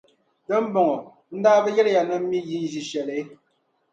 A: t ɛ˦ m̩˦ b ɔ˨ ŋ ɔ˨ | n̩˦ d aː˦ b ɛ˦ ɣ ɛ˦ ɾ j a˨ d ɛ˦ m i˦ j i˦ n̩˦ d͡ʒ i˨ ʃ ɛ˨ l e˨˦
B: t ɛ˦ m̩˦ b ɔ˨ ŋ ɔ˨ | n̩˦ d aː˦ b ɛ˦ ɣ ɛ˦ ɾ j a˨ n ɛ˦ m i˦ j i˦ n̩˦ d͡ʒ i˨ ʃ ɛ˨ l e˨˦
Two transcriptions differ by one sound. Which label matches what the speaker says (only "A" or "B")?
B